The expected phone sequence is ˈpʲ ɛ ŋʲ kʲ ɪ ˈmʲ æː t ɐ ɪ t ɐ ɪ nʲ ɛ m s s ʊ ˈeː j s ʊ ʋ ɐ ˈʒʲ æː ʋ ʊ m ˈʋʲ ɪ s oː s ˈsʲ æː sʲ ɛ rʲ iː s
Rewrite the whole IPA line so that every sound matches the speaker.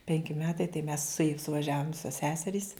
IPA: ˈpʲ ɛ ŋʲ kʲ ɪ ˈmʲ æː t ɐ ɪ t ɐ ɪ mʲ ɛ s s ʊ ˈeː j s ʊ ʋ ɐ ˈʒʲ æː ʋ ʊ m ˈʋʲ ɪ s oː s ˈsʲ æː sʲ ɛ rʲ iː s